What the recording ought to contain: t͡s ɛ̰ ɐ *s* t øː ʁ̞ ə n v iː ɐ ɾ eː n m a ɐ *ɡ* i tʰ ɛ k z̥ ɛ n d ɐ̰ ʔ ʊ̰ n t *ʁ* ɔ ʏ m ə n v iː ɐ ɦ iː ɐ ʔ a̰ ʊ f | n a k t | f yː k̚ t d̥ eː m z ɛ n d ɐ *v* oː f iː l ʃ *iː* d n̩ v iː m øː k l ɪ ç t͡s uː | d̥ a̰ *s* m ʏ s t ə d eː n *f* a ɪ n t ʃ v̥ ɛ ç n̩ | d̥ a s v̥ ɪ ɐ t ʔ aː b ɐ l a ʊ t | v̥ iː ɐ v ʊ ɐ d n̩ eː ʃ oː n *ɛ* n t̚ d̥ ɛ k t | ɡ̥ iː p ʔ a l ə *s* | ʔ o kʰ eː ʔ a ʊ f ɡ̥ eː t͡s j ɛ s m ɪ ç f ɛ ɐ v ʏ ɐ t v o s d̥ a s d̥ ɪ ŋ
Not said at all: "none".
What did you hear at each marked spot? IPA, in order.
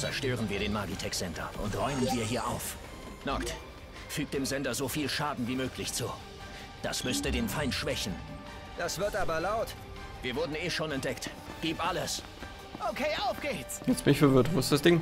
ʃ, ɡ, ʁ, z, aː, s, f, ɛ, s

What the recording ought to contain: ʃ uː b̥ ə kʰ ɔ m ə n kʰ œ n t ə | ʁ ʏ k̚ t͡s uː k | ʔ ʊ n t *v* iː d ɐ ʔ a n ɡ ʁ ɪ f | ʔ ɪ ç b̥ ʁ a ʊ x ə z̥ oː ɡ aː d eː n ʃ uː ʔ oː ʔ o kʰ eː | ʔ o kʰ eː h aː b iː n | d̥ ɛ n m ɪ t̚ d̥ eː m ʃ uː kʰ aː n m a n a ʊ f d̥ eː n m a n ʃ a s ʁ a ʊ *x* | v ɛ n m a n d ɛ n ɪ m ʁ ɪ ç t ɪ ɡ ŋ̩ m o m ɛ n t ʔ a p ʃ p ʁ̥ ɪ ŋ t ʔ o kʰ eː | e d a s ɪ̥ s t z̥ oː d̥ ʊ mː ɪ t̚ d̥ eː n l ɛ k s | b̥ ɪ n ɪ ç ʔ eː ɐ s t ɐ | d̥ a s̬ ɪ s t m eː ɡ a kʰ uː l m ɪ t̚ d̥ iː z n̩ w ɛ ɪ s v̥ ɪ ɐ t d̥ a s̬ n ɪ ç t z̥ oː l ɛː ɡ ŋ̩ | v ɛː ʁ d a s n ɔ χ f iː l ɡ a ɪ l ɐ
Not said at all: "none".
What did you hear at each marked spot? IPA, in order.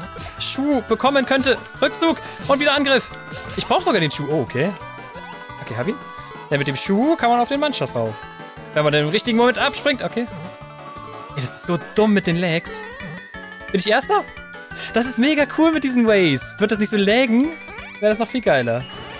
v, f

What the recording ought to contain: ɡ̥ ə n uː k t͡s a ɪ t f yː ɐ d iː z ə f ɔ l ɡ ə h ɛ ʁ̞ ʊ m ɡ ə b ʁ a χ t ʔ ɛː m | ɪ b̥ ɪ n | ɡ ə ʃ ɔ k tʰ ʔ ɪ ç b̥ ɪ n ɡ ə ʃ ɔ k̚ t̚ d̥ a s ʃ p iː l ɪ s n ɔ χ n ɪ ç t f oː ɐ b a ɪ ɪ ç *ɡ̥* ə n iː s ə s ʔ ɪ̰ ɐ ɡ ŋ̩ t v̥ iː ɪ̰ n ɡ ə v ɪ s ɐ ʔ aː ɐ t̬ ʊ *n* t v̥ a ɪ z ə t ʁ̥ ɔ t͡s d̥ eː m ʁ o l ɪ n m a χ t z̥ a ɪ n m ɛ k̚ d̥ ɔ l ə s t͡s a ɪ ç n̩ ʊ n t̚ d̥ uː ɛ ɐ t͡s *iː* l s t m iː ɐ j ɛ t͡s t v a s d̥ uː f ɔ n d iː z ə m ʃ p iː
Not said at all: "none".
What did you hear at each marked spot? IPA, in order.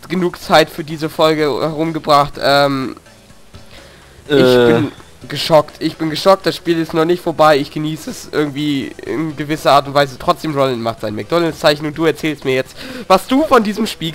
ɡ̥, n, ɛː

